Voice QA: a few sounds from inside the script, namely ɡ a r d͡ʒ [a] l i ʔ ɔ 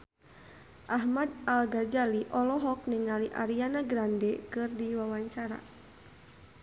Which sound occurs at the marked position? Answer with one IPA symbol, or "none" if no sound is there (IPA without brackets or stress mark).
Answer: a